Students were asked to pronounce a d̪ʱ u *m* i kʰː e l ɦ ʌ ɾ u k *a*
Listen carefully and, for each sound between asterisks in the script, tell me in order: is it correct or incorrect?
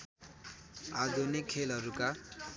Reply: incorrect, correct

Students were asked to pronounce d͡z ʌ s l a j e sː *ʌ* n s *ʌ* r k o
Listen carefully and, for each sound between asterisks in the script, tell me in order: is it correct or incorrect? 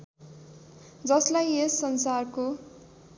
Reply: correct, incorrect

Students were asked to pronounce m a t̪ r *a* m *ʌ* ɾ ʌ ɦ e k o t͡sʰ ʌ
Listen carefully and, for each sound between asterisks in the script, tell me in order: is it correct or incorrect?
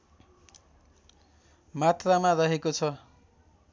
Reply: correct, incorrect

